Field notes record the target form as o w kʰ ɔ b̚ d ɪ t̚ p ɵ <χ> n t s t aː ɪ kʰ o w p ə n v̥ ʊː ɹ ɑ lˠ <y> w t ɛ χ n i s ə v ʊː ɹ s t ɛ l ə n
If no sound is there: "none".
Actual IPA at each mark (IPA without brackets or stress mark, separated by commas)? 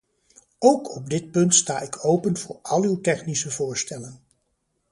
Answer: none, y